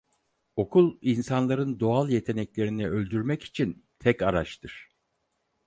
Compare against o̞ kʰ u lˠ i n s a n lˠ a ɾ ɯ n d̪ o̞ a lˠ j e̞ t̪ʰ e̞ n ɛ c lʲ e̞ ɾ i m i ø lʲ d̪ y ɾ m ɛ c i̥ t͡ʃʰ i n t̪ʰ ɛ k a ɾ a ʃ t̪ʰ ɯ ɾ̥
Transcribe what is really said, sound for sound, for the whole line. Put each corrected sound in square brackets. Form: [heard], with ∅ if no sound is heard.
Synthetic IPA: o̞ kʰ u lˠ i n s a n lˠ a ɾ ɯ n d̪ o̞ a lˠ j e̞ t̪ʰ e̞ n ɛ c lʲ e̞ ɾ i [n] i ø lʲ d̪ y ɾ m ɛ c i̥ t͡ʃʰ i n t̪ʰ ɛ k a ɾ a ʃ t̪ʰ ɯ ɾ̥

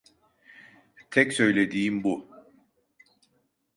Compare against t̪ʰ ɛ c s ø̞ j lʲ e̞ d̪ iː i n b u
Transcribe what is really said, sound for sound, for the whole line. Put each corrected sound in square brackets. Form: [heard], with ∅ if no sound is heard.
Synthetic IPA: t̪ʰ ɛ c s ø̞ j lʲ e̞ d̪ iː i [m] b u

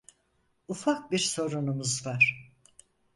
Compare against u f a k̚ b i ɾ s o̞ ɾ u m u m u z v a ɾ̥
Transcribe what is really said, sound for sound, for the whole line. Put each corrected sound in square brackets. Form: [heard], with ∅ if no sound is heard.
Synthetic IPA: u f a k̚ b i ɾ s o̞ ɾ u [n] u m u z v a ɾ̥

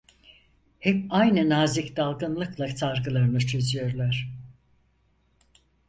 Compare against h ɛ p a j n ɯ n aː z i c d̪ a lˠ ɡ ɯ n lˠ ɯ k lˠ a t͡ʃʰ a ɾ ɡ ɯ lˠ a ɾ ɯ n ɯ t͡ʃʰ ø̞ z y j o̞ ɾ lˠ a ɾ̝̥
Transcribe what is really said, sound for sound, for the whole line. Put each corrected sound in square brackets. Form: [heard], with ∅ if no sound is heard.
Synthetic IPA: h ɛ p a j n ɯ n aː z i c d̪ a lˠ ɡ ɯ n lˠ ɯ k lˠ a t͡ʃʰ a ɾ ɡ ɯ lˠ a ɾ ɯ n ɯ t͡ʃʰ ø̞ z y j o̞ ɾ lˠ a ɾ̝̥

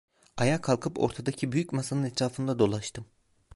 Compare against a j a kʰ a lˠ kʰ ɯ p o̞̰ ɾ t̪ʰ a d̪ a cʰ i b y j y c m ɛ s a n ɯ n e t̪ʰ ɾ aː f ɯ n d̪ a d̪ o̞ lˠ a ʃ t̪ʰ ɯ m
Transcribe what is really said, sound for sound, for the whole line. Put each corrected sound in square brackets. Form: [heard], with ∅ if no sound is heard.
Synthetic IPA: a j a kʰ a lˠ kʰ ɯ p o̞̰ ɾ t̪ʰ a d̪ a cʰ i b y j y c m [a] s a n ɯ n [ɛ] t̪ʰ ɾ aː f ɯ n d̪ a d̪ o̞ lˠ a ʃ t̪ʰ ɯ m

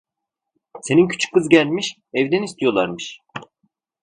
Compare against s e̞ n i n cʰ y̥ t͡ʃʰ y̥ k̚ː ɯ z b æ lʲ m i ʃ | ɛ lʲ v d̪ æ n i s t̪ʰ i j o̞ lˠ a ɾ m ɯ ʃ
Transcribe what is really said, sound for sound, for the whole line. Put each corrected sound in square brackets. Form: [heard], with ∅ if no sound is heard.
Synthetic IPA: s e̞ n i n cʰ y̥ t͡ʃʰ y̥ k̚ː ɯ z [ɟ] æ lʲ m i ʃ | ɛ [∅] v d̪ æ n i s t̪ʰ i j o̞ lˠ a ɾ m ɯ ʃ

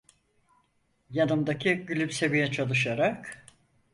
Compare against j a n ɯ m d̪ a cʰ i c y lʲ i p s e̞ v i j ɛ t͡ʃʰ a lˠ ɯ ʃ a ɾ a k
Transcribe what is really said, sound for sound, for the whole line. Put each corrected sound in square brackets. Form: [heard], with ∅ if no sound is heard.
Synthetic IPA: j a n ɯ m d̪ a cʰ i [ɟ] y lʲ [y] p s e̞ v i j ɛ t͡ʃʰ a lˠ ɯ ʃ a ɾ a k

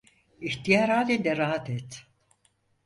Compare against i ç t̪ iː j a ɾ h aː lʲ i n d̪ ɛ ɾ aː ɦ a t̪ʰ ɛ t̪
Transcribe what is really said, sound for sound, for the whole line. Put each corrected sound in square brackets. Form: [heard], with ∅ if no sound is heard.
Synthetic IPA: i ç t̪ [i] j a ɾ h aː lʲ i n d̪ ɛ ɾ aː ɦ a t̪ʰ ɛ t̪

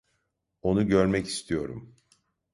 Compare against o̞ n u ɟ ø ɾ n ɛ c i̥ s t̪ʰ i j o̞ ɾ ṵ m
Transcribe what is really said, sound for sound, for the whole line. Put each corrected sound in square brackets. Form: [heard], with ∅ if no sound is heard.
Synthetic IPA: o̞ n u ɟ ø ɾ [m] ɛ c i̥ s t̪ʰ i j o̞ ɾ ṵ m

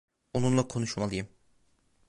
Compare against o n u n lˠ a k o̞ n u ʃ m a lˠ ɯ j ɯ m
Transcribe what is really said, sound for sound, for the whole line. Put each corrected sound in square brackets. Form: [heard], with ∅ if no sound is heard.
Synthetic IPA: o n u n lˠ a [kʰ] o̞ n u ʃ m a lˠ ɯ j ɯ m

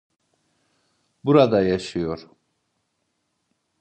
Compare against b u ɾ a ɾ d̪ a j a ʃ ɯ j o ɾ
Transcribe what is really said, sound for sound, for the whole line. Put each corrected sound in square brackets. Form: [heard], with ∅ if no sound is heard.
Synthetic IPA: b u ɾ a [∅] d̪ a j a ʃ ɯ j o ɾ

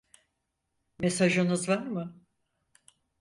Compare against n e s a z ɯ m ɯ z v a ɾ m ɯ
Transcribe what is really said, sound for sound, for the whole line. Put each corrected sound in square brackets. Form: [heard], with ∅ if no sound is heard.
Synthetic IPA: [m] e s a [ʒ] ɯ [n] ɯ z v a ɾ m ɯ

